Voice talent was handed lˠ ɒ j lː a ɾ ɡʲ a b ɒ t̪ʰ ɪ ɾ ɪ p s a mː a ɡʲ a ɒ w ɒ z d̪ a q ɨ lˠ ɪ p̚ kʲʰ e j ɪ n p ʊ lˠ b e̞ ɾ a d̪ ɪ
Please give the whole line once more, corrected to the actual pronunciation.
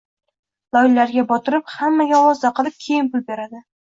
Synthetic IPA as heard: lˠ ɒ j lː a ɾ ɡʲ a b ɒ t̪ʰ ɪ ɾ ɪ p h a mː a ɡʲ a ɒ w ɒ z d̪ a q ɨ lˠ ɪ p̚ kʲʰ e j ɪ n p ʊ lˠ b e̞ ɾ a d̪ ɪ